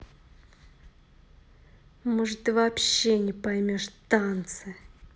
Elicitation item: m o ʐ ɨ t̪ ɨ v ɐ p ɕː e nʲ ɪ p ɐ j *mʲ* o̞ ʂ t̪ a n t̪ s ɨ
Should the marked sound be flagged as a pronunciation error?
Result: no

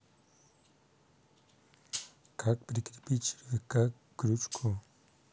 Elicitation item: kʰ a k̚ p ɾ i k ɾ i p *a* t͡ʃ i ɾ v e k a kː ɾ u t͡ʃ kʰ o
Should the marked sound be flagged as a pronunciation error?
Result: yes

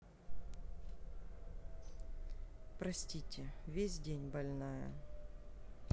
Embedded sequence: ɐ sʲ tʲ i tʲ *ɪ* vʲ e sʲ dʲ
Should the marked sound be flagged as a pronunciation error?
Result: no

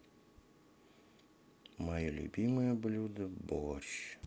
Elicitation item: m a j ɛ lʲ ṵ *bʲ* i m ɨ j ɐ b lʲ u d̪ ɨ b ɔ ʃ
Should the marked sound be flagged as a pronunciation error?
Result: no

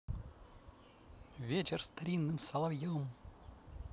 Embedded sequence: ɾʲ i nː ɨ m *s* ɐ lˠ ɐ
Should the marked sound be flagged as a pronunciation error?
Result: no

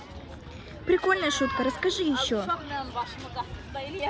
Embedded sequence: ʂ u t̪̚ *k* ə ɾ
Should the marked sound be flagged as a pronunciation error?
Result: no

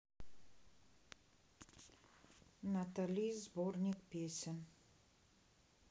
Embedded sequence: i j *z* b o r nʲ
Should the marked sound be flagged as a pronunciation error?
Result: no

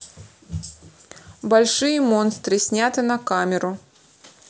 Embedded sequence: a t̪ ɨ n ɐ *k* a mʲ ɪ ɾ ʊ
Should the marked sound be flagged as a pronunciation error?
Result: no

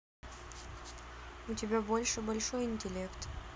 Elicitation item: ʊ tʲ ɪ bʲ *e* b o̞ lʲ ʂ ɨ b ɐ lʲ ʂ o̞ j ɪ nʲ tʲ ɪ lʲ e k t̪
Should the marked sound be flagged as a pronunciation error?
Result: yes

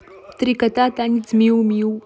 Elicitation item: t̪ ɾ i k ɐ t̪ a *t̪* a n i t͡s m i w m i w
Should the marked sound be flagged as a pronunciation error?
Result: no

